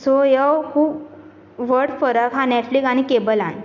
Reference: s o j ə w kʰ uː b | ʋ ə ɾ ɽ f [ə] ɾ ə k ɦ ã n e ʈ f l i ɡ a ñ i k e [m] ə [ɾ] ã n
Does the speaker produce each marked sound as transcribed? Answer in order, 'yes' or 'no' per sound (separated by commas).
yes, no, no